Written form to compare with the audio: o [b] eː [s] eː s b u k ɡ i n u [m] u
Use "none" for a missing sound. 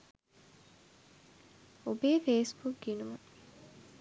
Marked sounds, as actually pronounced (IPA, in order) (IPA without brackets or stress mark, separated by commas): b, f, m